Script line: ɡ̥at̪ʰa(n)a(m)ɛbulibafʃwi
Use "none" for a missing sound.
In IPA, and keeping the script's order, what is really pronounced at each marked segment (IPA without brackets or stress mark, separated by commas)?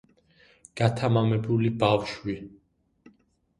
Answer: m, m